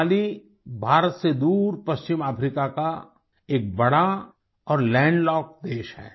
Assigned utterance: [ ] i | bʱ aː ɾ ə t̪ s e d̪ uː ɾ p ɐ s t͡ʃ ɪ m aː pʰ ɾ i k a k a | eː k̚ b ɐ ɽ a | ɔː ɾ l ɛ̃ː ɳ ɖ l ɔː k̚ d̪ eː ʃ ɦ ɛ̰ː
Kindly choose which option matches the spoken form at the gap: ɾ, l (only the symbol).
l